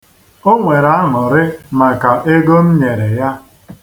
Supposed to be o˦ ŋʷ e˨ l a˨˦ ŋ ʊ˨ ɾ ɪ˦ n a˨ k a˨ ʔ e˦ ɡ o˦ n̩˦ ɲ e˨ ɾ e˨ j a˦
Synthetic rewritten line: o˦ ŋʷ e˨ ɾ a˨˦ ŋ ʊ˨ ɾ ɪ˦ m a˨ k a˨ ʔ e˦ ɡ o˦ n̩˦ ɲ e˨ ɾ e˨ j a˦